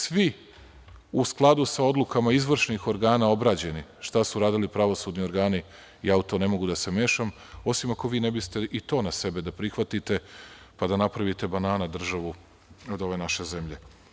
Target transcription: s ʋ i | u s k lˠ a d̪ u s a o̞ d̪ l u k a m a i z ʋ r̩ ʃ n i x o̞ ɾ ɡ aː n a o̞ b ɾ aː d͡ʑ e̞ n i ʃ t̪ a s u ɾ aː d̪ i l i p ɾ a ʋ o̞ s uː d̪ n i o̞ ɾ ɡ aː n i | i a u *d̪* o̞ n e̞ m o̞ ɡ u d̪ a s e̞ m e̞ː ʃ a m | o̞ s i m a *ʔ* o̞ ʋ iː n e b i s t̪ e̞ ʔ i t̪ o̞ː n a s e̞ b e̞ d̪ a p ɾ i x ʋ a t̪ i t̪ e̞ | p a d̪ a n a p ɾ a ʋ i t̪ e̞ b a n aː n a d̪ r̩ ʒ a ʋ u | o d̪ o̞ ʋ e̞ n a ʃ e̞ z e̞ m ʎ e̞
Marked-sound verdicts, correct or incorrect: incorrect: t̪, incorrect: k

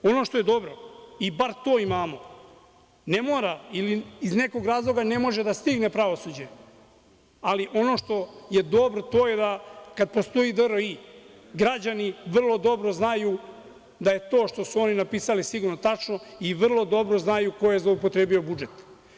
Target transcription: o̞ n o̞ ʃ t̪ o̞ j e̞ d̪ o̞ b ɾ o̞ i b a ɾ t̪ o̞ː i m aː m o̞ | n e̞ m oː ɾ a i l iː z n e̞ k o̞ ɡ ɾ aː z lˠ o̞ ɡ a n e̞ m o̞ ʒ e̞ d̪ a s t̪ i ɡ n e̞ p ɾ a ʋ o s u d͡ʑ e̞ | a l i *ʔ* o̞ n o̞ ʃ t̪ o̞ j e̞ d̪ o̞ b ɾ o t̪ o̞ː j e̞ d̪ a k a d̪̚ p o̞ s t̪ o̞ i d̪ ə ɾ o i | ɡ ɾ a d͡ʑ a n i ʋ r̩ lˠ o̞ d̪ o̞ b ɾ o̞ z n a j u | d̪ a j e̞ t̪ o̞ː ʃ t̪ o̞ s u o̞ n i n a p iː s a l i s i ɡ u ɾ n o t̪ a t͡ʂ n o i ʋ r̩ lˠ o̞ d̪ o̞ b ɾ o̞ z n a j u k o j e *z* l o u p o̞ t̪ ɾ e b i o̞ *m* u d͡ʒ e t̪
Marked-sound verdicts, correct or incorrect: correct, correct, incorrect: b

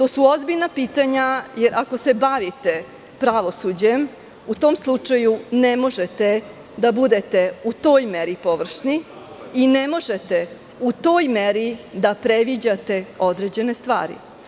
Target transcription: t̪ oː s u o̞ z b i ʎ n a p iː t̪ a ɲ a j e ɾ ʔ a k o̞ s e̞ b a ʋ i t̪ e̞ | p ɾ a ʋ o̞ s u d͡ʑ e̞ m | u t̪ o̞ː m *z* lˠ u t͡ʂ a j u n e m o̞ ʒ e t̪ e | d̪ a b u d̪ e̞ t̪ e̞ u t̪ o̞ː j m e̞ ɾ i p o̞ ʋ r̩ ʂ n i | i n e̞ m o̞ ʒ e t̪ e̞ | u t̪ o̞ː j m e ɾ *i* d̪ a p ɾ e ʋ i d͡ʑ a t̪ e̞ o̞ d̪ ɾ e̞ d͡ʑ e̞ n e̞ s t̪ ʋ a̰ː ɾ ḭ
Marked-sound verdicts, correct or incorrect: incorrect: s, correct

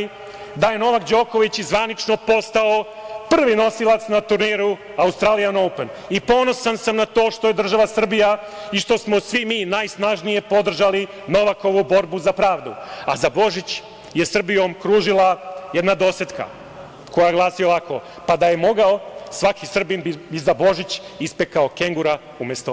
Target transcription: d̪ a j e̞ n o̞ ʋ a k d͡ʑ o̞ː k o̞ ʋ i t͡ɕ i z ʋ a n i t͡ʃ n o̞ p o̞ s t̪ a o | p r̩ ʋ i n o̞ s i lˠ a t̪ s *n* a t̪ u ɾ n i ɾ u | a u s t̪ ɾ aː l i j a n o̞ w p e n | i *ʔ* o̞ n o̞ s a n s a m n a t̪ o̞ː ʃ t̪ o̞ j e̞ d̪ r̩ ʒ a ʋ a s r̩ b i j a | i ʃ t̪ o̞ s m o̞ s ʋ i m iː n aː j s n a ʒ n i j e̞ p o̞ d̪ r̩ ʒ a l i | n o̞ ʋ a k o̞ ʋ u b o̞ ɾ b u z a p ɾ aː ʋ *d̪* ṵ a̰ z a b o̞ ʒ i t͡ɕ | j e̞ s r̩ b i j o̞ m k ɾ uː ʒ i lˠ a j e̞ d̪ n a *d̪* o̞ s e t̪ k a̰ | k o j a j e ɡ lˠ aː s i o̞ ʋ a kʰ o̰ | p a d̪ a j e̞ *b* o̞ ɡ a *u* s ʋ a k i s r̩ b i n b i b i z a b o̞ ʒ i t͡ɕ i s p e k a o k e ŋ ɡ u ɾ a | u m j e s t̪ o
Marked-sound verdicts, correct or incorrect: correct, incorrect: p, correct, correct, incorrect: m, incorrect: o

